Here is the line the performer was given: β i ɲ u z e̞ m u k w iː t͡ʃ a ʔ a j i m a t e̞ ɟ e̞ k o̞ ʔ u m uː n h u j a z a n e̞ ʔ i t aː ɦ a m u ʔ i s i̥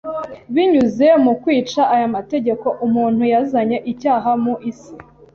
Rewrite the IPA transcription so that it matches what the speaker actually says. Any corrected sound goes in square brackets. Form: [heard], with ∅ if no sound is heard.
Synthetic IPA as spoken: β i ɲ u z e̞ m u k w iː t͡ʃ a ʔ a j [a] m a t e̞ ɟ e̞ k o̞ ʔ u m uː n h u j a z a [ɲ] e̞ ʔ i [c] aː ɦ a m u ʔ i s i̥